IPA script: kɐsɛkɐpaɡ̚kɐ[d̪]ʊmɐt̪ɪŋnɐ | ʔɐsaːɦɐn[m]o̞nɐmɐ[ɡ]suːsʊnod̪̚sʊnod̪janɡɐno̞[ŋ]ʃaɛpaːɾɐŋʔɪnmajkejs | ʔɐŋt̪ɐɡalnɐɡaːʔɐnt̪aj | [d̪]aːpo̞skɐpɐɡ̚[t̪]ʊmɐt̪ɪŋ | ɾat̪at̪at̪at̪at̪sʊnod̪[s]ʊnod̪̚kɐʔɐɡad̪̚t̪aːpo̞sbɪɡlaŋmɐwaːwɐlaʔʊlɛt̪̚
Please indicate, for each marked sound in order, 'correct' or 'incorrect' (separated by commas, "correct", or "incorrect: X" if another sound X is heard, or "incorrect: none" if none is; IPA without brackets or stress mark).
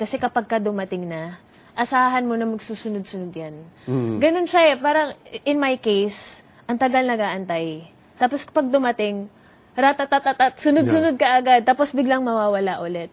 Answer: correct, correct, correct, incorrect: n, incorrect: t̪, incorrect: d̪, correct